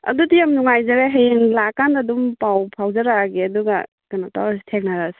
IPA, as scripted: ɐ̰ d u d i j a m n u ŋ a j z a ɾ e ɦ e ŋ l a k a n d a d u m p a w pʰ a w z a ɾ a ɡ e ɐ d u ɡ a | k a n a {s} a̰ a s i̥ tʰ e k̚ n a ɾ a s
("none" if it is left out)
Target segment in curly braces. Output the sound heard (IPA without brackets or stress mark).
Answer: t